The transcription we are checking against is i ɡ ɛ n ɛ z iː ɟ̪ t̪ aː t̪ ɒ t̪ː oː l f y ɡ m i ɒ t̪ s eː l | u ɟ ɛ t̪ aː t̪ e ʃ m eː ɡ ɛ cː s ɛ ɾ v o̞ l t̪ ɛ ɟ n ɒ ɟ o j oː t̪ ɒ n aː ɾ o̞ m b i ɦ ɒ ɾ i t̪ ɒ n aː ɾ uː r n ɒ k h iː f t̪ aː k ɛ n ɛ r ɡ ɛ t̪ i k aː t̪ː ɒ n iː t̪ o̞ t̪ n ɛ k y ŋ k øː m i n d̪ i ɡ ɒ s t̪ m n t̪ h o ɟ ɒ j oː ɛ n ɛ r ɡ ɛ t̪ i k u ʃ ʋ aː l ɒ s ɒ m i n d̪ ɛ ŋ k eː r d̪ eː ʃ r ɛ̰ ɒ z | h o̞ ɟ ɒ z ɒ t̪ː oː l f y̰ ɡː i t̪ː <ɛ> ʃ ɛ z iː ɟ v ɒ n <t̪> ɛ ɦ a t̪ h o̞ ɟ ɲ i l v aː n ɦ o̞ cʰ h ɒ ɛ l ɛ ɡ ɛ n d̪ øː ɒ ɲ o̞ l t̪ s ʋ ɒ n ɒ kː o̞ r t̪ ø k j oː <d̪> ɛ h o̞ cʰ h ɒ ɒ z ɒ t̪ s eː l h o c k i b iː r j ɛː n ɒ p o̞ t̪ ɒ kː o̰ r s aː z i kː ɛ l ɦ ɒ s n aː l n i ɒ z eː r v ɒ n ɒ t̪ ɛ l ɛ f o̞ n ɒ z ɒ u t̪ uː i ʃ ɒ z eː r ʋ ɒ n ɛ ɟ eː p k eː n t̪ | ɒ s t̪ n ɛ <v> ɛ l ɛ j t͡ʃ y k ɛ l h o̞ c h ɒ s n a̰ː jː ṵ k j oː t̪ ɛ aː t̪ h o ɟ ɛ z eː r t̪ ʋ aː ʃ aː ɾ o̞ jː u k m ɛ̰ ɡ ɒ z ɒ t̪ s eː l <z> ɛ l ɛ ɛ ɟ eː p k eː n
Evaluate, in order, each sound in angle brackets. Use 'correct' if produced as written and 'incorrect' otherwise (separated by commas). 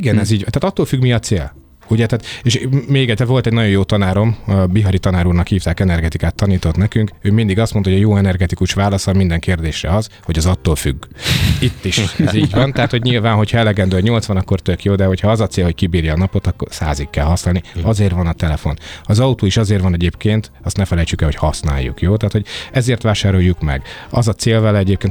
incorrect, correct, correct, incorrect, incorrect